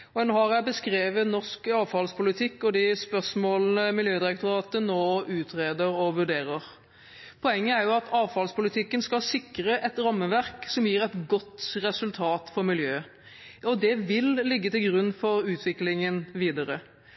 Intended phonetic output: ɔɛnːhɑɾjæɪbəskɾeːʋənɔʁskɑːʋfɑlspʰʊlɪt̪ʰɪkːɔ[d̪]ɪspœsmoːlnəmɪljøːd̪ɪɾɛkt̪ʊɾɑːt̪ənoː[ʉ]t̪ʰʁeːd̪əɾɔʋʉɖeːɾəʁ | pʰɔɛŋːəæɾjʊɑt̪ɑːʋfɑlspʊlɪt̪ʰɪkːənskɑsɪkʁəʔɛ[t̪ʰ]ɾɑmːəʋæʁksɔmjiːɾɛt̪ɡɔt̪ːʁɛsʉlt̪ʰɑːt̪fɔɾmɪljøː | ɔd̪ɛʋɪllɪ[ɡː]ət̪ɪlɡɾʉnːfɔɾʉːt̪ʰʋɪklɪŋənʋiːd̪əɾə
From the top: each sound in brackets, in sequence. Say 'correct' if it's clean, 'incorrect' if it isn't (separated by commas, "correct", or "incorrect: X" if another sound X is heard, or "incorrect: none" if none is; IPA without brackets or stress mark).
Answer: correct, incorrect: ʉː, incorrect: t̪, correct